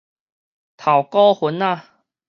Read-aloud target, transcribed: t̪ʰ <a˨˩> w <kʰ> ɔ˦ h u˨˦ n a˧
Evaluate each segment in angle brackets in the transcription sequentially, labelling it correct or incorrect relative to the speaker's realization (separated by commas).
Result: correct, incorrect